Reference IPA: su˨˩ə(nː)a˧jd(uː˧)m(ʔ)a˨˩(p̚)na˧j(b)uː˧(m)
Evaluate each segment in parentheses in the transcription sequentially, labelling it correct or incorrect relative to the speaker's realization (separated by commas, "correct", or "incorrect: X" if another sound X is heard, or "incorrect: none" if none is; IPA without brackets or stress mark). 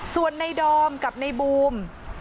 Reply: correct, incorrect: ɔː˧, incorrect: k, correct, correct, correct